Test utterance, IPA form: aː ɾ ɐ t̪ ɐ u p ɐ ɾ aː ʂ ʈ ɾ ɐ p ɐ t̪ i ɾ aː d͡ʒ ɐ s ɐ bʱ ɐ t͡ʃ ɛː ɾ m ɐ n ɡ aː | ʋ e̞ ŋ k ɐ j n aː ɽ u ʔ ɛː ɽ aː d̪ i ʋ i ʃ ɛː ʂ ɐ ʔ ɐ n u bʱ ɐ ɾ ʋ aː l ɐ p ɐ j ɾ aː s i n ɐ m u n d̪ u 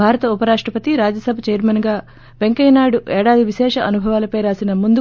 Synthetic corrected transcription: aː ɾ ɐ t̪ ɐ u p ɐ ɾ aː ʂ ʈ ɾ ɐ p ɐ t̪ i ɾ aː d͡ʒ ɐ s ɐ bʱ ɐ t͡ʃ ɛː ɾ m ɐ n ɡ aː | ʋ e̞ ŋ k ɐ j n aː ɽ u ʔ ɛː ɽ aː d̪ i ʋ i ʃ ɛː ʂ ɐ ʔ ɐ n u bʱ ɐ ʋ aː l ɐ p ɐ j ɾ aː s i n ɐ m u n d̪ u